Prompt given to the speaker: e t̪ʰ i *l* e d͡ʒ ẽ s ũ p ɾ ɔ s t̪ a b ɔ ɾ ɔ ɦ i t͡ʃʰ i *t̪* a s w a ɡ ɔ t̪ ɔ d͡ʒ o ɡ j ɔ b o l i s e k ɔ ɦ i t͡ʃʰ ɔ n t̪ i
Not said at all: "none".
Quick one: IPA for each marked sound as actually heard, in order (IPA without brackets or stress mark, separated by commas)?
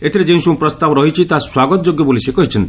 ɾ, t̪